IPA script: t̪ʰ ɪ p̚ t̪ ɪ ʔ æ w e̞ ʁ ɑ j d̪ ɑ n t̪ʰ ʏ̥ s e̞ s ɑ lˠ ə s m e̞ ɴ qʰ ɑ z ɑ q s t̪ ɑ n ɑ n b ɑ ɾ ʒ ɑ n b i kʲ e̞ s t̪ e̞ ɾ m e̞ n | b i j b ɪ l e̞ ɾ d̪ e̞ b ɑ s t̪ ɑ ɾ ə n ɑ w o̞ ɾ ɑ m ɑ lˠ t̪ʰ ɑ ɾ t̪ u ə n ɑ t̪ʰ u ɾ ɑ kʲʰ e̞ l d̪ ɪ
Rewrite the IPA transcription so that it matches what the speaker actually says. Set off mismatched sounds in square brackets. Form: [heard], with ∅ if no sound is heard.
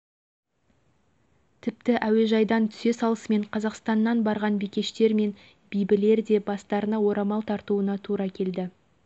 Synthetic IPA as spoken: t̪ʰ ɪ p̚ t̪ ɪ ʔ æ w e̞ [ʒ] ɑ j d̪ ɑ n t̪ʰ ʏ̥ s e̞ s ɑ lˠ ə s m e̞ ɴ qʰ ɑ z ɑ q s t̪ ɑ [nː] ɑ n b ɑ ɾ [ʁ] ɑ n b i kʲ e̞ [ʃ] t̪ e̞ ɾ m e̞ n | b i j b ɪ l e̞ ɾ d̪ e̞ b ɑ s t̪ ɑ ɾ ə n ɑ w o̞ ɾ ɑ m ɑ lˠ t̪ʰ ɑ ɾ t̪ u ə n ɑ t̪ʰ u ɾ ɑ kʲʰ e̞ l d̪ ɪ